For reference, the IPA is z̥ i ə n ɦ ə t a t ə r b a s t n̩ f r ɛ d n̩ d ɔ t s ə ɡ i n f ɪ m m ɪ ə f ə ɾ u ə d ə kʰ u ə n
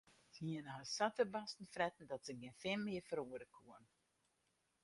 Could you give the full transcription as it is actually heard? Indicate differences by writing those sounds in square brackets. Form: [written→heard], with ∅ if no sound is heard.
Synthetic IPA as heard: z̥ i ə n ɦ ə [t→s] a t ə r b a s t n̩ f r ɛ [d→t] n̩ d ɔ t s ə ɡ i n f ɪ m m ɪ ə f ə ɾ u ə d ə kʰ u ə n